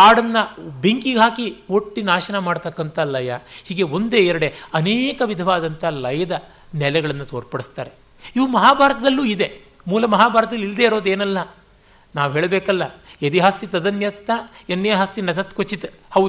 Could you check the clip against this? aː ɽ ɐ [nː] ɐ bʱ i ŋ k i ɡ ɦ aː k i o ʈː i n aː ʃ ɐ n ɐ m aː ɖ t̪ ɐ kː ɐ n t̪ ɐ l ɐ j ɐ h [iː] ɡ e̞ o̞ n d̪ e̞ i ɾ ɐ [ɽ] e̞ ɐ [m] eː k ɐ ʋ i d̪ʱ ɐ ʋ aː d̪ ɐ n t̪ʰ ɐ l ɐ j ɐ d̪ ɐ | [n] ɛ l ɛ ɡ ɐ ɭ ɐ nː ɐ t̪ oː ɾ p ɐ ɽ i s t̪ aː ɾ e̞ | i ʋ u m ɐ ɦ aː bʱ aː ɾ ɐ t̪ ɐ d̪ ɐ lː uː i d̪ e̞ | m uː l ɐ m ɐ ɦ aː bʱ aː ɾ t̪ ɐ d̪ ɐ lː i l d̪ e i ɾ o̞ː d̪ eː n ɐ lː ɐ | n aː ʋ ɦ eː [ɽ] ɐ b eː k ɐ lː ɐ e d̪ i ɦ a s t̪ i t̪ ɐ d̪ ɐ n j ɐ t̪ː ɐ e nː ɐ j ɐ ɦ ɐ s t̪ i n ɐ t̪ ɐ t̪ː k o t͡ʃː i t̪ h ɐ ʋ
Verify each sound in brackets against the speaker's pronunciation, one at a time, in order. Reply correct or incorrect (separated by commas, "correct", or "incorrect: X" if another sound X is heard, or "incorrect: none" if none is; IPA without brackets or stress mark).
correct, correct, correct, incorrect: n, correct, incorrect: ɭ